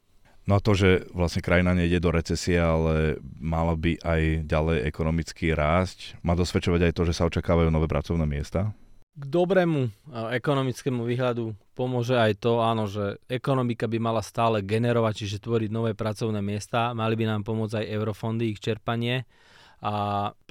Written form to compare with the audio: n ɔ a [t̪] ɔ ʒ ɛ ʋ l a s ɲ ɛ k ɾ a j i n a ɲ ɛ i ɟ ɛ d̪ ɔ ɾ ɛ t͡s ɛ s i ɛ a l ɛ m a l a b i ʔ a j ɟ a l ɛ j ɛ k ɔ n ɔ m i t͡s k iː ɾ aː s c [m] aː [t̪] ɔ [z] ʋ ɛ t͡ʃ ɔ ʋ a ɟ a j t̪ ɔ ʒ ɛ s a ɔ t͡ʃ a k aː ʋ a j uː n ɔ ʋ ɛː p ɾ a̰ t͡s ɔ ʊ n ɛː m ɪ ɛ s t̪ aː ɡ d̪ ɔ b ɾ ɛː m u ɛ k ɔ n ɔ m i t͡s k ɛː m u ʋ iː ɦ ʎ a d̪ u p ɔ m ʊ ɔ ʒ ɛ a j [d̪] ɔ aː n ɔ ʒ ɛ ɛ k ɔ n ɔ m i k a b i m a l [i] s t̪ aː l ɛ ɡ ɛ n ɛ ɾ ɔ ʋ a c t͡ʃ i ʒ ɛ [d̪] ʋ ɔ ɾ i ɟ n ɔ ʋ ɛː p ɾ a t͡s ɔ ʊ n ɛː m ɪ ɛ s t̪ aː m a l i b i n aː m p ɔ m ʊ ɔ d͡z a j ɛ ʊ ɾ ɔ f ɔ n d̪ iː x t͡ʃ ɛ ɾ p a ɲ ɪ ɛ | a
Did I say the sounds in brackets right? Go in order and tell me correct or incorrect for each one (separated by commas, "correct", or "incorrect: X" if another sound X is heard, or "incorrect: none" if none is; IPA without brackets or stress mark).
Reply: correct, correct, incorrect: d̪, incorrect: s, incorrect: t̪, incorrect: a, incorrect: t̪